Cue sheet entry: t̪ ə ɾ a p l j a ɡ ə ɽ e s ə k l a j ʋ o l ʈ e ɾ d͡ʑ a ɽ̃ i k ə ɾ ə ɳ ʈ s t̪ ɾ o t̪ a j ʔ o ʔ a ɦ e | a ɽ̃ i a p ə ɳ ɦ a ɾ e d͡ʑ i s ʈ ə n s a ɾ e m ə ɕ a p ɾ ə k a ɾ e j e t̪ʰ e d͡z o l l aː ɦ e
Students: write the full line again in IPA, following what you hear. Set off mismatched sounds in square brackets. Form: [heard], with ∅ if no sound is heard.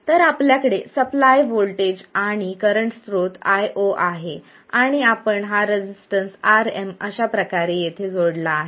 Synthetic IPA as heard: t̪ ə ɾ a p l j a [k] ə ɽ e s ə [p] l a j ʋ o l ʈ e [∅] d͡ʑ a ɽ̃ i k ə ɾ ə ɳ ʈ s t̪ ɾ o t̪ a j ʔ o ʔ a ɦ e | a ɽ̃ i a p ə ɳ ɦ a ɾ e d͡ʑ i s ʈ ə n s a ɾ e m ə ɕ a p ɾ ə k a ɾ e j e t̪ʰ e d͡z o [ɽ] l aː ɦ e